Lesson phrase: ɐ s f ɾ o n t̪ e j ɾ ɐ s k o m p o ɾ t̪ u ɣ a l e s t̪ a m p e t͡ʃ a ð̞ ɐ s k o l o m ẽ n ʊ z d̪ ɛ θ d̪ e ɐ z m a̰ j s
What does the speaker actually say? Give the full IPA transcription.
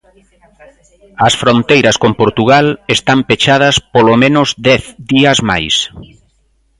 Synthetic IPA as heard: ɐ s f ɾ o n t̪ e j ɾ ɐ s k o m p o ɾ t̪ u ɣ a l e s t̪ a m p e t͡ʃ a ð̞ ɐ s p o l o m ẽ n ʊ z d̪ ɛ θ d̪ i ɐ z m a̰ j s